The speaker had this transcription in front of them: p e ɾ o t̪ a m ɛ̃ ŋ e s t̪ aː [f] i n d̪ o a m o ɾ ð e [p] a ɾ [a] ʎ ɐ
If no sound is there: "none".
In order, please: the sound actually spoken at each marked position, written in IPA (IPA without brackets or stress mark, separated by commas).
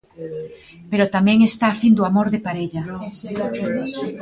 f, p, e